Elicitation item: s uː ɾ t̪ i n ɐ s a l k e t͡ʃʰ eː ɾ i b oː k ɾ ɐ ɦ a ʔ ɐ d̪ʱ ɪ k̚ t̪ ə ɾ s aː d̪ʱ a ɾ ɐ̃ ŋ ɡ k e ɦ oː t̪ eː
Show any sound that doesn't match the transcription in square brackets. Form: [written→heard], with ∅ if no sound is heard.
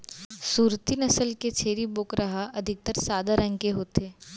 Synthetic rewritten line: s uː ɾ t̪ i n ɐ s [a→ə] l k e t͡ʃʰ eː ɾ i b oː k ɾ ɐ ɦ a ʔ ɐ d̪ʱ ɪ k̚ t̪ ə ɾ s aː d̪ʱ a ɾ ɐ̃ ŋ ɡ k e ɦ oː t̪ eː